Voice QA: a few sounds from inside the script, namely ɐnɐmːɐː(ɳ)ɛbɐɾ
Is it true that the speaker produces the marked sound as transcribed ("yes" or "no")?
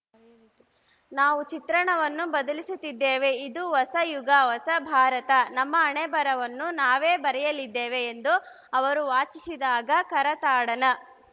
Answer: yes